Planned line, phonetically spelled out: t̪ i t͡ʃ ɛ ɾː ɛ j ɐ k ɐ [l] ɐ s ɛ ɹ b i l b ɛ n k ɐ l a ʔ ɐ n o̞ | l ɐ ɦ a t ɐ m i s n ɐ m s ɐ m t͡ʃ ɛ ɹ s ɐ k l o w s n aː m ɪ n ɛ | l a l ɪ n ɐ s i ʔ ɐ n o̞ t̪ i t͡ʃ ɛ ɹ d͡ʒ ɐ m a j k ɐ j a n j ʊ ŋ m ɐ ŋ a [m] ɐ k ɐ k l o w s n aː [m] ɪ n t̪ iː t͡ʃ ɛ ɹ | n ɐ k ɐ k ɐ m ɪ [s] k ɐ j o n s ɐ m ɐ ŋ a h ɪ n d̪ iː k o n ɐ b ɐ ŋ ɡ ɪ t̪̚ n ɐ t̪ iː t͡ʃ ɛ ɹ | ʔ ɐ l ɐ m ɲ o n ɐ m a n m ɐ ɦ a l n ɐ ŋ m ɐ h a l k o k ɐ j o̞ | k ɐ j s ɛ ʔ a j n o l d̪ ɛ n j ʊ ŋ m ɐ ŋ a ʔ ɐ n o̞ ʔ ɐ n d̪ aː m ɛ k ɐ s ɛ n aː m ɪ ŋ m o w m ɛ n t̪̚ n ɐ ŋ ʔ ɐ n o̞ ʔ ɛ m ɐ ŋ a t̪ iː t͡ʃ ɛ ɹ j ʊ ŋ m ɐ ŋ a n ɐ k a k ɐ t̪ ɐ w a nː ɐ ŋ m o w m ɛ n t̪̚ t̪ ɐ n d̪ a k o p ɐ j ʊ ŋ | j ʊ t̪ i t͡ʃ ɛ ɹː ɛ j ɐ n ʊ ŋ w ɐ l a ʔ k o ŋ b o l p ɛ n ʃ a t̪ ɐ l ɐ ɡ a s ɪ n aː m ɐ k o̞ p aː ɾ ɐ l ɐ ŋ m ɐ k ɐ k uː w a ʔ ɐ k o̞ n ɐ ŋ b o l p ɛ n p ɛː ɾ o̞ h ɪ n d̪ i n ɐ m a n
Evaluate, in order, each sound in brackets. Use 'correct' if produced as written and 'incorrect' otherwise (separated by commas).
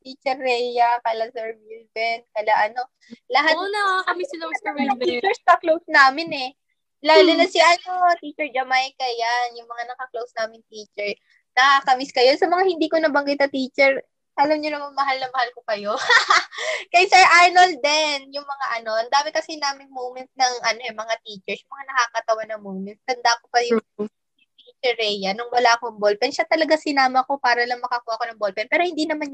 correct, incorrect, correct, correct